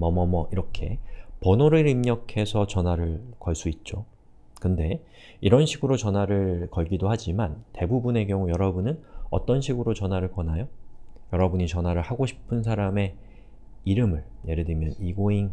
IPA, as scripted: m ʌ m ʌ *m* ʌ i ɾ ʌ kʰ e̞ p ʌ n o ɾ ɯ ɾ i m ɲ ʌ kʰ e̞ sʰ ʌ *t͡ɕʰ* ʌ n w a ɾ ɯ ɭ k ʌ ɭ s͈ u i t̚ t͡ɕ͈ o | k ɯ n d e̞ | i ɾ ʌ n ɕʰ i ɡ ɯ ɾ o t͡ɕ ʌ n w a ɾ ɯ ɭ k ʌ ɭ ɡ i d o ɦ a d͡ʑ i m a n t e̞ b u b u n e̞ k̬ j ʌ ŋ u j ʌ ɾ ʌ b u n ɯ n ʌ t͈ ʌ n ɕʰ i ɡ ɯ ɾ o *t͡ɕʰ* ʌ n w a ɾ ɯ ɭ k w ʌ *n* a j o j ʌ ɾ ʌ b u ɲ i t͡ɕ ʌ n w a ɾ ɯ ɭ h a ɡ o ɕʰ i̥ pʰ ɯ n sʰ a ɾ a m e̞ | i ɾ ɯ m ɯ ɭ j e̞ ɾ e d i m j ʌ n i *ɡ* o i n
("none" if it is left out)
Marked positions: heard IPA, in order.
m, t͡ɕ, t͡ɕ, n, ɡ

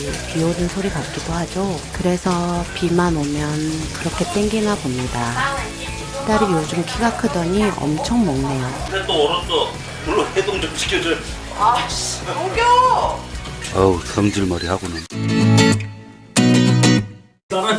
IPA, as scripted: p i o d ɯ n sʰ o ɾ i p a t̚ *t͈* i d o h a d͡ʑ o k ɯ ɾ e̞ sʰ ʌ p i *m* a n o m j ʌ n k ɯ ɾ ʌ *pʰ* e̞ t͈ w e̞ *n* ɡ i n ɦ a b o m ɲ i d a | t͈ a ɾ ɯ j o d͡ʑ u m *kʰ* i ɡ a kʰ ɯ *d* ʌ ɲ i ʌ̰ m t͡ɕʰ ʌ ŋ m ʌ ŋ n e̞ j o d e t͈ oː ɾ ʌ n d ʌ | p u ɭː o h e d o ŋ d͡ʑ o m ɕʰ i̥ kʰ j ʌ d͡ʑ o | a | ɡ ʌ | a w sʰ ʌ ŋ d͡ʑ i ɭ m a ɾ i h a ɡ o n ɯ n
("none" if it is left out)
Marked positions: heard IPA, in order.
k͈, m, kʰ, ŋ, kʰ, d

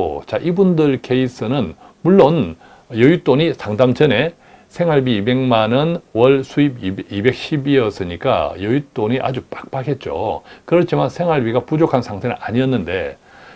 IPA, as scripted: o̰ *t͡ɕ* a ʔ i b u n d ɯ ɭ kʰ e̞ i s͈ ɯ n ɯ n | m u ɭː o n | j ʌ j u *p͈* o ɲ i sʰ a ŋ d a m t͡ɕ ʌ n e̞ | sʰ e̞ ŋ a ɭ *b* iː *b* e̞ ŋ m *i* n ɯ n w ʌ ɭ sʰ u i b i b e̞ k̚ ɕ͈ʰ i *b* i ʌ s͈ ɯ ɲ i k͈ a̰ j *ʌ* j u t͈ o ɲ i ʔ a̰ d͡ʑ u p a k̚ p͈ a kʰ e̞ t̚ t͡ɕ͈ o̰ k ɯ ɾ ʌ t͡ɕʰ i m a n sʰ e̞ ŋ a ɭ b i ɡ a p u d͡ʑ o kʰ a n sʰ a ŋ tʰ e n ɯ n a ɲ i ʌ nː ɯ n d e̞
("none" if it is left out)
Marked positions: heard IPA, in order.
t͡ɕ, t͈, b, b, a, b, ʌ

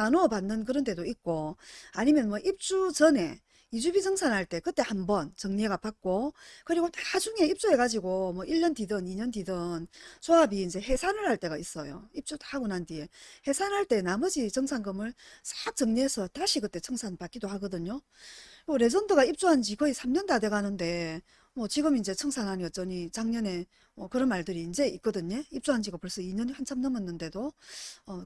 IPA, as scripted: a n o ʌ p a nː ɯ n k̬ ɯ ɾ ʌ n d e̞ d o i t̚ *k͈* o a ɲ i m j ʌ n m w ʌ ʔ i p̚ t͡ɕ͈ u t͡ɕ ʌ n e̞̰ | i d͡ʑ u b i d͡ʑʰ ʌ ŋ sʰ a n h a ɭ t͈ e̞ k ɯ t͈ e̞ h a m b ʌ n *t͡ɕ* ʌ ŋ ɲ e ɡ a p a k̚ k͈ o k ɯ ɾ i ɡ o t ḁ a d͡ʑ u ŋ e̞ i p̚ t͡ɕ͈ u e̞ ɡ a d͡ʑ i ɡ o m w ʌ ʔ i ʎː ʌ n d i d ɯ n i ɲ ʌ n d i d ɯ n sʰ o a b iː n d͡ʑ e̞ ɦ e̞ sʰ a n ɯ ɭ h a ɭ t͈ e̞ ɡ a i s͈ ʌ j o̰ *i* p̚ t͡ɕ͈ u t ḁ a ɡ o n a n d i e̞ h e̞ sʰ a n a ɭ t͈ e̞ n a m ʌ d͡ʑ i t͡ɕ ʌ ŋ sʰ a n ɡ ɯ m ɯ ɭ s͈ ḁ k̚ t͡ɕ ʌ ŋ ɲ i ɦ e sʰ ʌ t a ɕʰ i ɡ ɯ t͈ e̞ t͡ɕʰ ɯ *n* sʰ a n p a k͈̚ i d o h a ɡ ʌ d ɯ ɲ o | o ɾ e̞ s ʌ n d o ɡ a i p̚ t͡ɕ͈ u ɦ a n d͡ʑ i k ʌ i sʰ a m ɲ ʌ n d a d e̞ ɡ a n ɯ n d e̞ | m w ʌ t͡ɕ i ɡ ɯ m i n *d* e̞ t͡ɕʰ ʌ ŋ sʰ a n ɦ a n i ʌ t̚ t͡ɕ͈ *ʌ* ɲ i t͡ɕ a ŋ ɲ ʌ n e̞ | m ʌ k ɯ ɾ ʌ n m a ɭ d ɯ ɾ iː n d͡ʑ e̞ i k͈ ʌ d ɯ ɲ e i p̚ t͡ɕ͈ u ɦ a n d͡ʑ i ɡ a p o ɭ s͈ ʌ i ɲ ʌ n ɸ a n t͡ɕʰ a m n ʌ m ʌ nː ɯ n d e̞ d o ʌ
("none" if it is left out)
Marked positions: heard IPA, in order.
k͈, t͡ɕ, i, ŋ, d͡ʑ, ʌ

